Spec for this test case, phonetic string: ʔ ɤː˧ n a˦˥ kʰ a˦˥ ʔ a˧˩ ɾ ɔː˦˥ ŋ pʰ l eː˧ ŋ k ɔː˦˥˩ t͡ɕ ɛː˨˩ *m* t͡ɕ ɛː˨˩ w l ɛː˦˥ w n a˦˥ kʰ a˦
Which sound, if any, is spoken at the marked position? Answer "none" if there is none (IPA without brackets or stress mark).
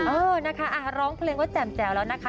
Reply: m